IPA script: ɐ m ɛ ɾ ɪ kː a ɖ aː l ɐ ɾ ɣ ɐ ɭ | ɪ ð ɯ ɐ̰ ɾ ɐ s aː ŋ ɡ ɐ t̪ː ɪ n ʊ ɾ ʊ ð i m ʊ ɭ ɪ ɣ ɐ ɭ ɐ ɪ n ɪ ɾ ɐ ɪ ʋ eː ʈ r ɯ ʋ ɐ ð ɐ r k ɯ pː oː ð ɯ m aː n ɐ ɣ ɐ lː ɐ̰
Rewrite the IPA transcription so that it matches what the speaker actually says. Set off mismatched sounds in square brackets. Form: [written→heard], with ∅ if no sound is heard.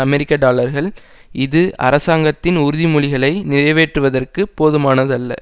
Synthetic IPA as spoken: ɐ m ɛ ɾ ɪ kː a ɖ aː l ɐ ɾ ɣ ɐ ɭ | ɪ ð ɯ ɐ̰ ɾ ɐ s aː ŋ ɡ ɐ t̪ː ɪ n ʊ ɾ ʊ ð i m ʊ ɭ ɪ ɣ ɐ ɭ ɐ ɪ n ɪ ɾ ɐ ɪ ʋ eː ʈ r ɯ ʋ ɐ ð ɐ r k ɯ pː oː ð ɯ m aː n ɐ [ɣ→ð] ɐ lː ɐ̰